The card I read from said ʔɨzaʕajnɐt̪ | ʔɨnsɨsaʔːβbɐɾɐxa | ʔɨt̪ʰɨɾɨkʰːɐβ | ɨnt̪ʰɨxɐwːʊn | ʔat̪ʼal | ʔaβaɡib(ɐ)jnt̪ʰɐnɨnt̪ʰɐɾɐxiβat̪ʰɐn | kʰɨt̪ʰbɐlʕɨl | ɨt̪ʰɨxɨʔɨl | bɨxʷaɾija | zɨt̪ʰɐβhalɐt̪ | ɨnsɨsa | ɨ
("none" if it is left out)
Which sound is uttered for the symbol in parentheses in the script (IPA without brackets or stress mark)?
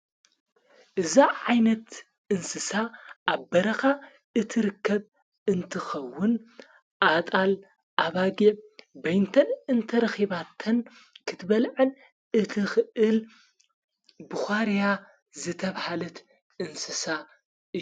ɐ